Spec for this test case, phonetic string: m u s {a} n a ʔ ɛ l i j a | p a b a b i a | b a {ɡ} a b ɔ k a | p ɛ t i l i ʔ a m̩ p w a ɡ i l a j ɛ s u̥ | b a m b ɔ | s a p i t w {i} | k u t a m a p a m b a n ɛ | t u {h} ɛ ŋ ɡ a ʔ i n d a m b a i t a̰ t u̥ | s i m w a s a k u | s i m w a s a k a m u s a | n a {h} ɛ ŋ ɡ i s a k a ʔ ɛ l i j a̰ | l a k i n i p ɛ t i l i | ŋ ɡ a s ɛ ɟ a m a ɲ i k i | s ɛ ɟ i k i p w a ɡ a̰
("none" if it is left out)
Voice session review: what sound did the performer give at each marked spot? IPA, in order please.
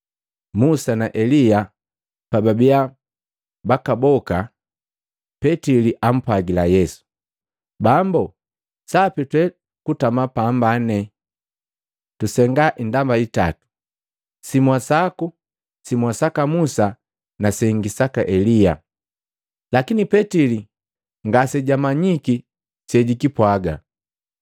a, k, ɛ, s, s

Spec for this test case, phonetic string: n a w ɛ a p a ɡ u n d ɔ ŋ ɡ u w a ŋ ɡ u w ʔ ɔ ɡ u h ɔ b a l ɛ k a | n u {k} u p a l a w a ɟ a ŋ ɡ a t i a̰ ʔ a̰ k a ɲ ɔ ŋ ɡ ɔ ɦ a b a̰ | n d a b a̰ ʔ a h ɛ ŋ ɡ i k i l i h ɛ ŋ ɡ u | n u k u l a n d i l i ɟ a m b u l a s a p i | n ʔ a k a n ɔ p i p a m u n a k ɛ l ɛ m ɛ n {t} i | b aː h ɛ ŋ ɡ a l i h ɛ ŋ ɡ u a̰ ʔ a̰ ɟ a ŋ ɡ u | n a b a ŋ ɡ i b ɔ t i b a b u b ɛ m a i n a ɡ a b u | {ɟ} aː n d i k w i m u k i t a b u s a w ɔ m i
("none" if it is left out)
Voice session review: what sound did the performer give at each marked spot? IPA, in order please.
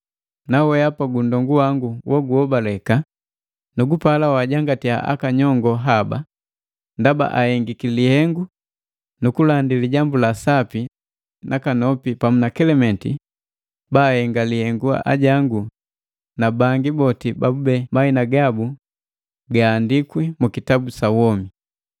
ɡ, t, ɡ

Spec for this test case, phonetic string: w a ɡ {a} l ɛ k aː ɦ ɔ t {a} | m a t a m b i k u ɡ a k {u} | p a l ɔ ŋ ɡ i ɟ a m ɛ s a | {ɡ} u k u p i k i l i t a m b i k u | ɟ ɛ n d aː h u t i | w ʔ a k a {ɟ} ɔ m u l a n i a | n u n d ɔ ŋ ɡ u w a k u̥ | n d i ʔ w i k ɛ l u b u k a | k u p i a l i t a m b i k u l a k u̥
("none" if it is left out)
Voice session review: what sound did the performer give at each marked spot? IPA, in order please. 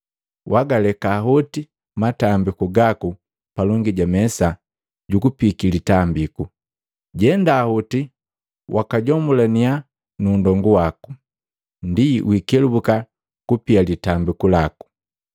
a, i, u, ɟ, ɟ

